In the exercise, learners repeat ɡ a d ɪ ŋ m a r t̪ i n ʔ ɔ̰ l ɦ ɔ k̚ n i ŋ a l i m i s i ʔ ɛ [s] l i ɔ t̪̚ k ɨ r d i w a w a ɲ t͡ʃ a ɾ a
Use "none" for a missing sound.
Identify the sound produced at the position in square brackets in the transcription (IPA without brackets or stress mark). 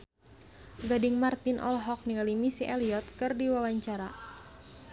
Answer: none